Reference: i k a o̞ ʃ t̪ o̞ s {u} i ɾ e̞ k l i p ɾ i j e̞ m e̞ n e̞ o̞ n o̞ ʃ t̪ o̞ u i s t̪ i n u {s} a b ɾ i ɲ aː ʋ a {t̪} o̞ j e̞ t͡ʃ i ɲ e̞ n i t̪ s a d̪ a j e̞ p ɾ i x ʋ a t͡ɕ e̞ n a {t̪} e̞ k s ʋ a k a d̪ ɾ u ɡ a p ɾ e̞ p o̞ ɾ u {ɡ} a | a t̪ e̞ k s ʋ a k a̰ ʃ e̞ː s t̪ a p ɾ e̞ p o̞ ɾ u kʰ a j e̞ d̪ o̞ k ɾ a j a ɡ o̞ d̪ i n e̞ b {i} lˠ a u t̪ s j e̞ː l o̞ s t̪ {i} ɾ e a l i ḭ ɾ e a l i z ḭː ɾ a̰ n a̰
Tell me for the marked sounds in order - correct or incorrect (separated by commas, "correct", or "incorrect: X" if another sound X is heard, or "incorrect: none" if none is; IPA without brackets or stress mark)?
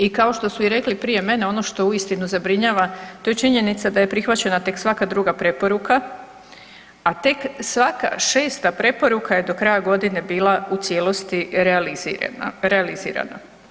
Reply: correct, incorrect: z, correct, correct, incorrect: k, incorrect: iː, correct